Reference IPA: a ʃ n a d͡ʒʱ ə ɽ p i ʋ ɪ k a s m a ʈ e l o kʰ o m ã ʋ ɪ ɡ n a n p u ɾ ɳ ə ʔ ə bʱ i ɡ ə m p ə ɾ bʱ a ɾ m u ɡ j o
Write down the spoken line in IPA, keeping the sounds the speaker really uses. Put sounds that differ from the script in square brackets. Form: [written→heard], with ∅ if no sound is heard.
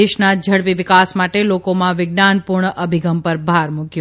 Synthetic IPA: [a→e] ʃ n a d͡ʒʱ ə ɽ p i ʋ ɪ k a s m a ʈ e l o [kʰ→k] o m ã ʋ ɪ ɡ n a n p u ɾ ɳ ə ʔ ə bʱ i ɡ ə m p ə ɾ bʱ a ɾ m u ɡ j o